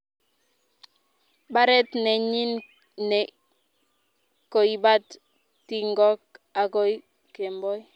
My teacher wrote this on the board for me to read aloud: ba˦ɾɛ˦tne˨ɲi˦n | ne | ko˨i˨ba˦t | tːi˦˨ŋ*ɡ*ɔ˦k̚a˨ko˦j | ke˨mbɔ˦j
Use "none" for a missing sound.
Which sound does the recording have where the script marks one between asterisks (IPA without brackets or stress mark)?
ɡ